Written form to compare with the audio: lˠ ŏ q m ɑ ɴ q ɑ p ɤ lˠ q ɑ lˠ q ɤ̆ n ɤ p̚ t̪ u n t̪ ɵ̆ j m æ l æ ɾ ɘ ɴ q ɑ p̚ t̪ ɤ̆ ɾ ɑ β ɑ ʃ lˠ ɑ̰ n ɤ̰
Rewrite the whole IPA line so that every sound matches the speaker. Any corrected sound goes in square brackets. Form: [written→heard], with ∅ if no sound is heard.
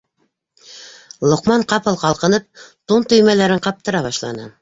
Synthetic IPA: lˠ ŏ q m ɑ ɴ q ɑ p ɤ lˠ q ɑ lˠ q ɤ̆ n ɤ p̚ t̪ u n t̪ ɵ̆ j m æ l æ ɾ ɘ ɴ q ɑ p̚ t̪ ɤ̆ ɾ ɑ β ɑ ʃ lˠ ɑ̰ n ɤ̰

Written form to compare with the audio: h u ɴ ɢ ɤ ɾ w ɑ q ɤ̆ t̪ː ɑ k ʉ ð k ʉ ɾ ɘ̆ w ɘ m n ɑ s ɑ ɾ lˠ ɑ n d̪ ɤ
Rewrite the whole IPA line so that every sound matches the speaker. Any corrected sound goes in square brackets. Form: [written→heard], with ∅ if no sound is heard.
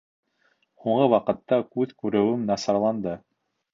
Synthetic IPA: h u ɴ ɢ ɤ [ɾ→∅] w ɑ q ɤ̆ t̪ː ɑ k ʉ ð k ʉ ɾ ɘ̆ w ɘ m n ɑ s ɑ ɾ lˠ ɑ n d̪ ɤ

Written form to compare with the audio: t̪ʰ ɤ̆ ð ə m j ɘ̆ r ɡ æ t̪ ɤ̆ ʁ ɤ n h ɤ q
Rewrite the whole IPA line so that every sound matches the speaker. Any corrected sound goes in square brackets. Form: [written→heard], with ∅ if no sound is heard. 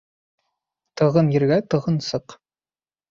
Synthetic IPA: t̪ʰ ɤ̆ [ð→ʁ] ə [m→n] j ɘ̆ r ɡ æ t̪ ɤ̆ ʁ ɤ n [h→s] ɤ q

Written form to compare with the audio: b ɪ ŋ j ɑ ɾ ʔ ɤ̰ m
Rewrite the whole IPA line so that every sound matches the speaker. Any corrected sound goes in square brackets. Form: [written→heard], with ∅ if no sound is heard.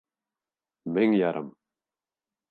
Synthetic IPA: [b→m] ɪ ŋ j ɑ ɾ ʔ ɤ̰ m

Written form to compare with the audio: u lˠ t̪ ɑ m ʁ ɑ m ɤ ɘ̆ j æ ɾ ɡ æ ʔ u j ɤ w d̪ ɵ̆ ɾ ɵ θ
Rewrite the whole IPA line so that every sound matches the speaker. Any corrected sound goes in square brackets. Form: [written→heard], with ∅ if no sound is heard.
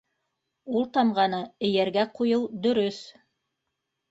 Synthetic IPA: u lˠ t̪ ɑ m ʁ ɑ [m→n] ɤ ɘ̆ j æ ɾ ɡ æ [ʔ→q] u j ɤ w d̪ ɵ̆ ɾ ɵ θ

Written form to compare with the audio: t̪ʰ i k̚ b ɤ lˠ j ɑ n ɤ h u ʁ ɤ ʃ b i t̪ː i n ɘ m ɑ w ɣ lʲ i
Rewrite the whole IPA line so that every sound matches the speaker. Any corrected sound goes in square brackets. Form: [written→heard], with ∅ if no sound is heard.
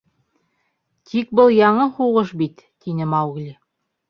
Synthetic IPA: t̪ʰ i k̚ b ɤ lˠ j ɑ [n→ɴ] ɤ h u ʁ ɤ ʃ b i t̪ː i n ɘ m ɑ w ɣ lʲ i

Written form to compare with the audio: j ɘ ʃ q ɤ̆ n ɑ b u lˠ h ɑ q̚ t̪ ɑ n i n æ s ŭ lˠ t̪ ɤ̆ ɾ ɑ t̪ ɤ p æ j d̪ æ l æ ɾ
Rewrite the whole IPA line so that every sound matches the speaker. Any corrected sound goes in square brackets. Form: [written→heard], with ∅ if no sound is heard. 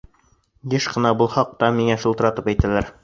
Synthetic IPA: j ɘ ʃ q ɤ̆ n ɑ b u lˠ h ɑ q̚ t̪ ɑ [n→m] i [n→ŋ] æ [s→ʃ] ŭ lˠ t̪ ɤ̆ ɾ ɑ t̪ ɤ p æ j [d̪→t̪] æ l æ ɾ

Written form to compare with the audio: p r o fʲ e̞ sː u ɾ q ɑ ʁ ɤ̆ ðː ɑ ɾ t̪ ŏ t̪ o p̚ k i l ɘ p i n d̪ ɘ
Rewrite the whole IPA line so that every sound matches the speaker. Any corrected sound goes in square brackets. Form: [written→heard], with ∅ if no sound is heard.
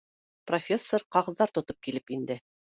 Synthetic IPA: p r o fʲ e̞ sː [u→o] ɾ q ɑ ʁ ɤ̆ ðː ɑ ɾ t̪ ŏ t̪ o p̚ k i l ɘ p i n d̪ ɘ

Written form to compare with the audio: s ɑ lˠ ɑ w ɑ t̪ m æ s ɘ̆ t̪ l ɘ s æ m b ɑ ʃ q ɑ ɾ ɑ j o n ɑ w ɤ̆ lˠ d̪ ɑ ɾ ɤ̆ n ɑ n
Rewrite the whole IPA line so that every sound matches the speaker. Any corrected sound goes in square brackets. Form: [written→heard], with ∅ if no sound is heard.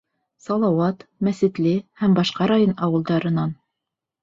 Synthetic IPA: s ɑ lˠ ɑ w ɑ t̪ m æ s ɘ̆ t̪ l ɘ [s→h] æ m b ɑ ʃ q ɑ ɾ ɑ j o n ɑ w ɤ̆ lˠ d̪ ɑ ɾ ɤ̆ n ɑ n

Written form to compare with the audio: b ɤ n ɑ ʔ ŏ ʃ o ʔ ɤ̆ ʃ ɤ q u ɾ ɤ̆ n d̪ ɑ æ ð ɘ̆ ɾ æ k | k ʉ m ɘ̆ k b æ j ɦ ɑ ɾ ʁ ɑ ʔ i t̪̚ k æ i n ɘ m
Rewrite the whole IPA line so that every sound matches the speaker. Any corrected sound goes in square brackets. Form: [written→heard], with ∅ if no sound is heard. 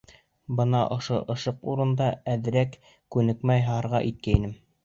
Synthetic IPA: b ɤ n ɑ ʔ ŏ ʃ o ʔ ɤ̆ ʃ ɤ q u ɾ ɤ̆ n d̪ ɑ æ ð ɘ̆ ɾ æ k | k ʉ [m→n] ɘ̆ k [b→m] æ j ɦ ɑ ɾ ʁ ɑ ʔ i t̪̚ k æ i n ɘ m

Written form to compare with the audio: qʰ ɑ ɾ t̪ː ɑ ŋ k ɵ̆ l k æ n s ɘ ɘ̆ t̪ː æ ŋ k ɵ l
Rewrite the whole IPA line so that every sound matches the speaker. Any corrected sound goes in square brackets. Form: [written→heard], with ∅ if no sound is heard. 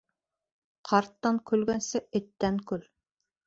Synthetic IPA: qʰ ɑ ɾ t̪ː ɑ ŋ k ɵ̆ l [k→ɡ] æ n s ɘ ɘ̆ t̪ː æ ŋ k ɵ l

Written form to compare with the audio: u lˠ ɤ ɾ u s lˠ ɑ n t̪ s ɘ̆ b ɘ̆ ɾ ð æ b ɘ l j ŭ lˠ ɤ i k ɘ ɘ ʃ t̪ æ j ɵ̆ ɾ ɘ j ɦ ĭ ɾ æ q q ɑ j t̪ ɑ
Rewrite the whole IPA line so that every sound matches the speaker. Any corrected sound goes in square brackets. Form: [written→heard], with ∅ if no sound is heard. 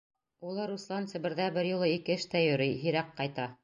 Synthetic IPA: u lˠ ɤ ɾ u s lˠ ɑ n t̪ s ɘ̆ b ɘ̆ ɾ ð æ b ɘ [l→ɾ] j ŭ lˠ ɤ i k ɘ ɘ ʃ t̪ æ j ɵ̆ ɾ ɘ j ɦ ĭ ɾ æ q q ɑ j t̪ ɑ

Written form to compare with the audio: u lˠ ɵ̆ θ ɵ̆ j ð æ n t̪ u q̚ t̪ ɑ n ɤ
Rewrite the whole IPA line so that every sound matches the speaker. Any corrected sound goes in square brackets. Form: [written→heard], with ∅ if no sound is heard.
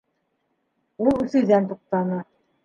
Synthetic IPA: u lˠ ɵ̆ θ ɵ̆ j ð æ n t̪ u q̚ t̪ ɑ n ɤ

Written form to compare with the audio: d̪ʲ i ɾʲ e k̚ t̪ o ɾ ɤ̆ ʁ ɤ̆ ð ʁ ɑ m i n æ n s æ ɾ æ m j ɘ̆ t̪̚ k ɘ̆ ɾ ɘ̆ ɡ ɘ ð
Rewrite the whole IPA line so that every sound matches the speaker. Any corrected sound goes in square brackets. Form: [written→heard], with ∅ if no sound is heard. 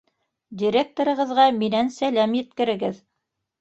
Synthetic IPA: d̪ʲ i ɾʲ e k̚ t̪ o ɾ ɤ̆ ʁ ɤ̆ ð ʁ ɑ m i n æ n s æ [ɾ→l] æ m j ɘ̆ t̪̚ k ɘ̆ ɾ ɘ̆ ɡ ɘ ð

